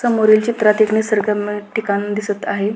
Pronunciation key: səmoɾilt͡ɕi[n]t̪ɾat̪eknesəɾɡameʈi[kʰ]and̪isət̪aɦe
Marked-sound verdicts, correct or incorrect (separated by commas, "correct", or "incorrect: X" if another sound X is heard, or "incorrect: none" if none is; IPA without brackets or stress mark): incorrect: none, incorrect: k